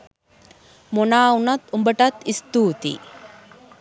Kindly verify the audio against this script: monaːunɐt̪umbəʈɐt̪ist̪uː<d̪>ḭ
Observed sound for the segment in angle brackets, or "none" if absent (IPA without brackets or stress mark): t̪